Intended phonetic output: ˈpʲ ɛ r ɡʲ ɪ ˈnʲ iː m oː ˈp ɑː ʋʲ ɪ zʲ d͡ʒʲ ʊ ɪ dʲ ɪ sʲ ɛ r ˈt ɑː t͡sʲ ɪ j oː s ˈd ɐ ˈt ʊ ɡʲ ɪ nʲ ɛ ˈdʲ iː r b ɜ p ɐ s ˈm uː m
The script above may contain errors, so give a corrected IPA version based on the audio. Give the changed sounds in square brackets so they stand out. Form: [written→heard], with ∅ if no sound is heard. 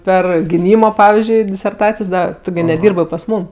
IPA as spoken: ˈpʲ ɛ r ɡʲ ɪ ˈnʲ iː m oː ˈp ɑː ʋʲ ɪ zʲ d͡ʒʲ ʊ ɪ dʲ ɪ sʲ ɛ r ˈt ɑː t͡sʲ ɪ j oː s ˈd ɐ ˈt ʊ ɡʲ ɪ nʲ ɛ ˈdʲ iː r b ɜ p ɐ s ˈm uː m